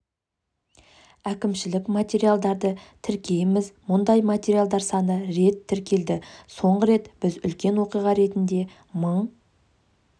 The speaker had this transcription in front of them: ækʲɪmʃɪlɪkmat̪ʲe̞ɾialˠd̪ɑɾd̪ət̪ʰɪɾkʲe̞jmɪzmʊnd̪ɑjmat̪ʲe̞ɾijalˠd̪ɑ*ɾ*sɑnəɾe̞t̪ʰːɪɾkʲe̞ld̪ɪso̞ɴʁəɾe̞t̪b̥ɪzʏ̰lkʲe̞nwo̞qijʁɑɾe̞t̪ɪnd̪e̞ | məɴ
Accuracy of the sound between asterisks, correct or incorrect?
correct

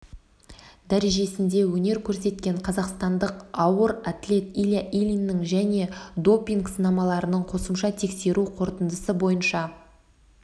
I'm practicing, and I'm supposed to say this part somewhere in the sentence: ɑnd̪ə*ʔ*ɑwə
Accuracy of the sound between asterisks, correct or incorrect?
incorrect: q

